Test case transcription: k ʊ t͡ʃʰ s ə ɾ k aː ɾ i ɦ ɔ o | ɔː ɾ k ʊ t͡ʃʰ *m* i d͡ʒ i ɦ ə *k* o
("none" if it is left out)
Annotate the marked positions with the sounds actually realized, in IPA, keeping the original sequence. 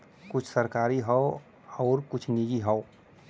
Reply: n, none

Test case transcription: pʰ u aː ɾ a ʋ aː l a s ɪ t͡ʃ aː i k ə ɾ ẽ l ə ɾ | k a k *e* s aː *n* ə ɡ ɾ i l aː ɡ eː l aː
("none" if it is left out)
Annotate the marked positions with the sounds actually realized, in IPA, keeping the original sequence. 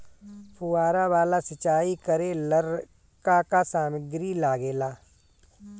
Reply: a, m

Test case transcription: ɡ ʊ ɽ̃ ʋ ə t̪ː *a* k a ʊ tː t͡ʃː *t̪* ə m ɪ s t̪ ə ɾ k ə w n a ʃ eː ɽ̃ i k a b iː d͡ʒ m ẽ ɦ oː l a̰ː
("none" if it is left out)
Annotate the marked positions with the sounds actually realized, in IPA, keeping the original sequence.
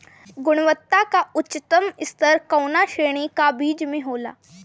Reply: a, t̪

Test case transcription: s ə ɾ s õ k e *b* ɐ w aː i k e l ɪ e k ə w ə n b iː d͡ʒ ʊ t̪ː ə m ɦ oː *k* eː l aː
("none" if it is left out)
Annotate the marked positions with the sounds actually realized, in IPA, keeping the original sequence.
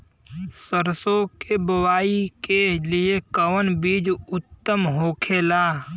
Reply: b, kʰ

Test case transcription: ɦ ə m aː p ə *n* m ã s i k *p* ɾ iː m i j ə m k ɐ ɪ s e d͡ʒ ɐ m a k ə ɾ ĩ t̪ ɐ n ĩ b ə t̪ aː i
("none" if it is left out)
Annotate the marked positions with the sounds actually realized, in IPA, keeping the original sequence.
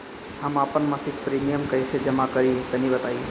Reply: n, p

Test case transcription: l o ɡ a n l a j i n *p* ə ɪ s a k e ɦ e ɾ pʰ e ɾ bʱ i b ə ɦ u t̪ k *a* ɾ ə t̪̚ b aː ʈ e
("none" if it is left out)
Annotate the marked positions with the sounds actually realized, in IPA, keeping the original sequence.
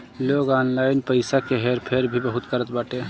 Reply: p, ə

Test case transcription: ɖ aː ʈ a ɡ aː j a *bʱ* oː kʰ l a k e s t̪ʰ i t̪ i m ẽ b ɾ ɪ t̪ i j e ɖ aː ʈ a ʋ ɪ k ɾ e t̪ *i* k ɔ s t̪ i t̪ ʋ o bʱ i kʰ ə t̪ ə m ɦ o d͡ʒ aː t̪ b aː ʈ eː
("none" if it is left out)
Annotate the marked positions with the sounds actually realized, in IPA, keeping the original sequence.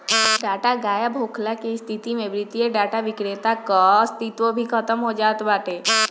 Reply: bʱ, a

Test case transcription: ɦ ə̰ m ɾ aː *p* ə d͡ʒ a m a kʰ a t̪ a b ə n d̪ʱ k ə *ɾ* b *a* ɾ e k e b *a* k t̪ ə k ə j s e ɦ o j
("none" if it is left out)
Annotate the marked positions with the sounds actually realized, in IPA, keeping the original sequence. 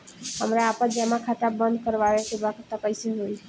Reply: p, ɾ, a, a

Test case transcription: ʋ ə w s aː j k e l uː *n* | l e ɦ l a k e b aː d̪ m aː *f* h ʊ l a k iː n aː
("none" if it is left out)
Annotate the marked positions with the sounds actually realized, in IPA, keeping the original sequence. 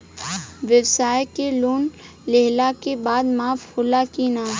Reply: n, f

